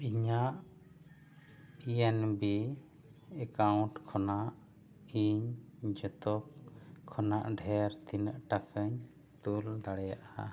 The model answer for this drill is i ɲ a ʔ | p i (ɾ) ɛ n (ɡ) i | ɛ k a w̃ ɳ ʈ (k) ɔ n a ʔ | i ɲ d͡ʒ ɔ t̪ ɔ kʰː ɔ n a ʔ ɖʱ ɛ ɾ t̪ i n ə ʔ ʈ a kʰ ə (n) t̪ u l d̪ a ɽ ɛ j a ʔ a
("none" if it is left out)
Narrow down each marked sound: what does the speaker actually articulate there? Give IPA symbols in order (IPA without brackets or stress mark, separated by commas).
none, b, kʰ, ɲ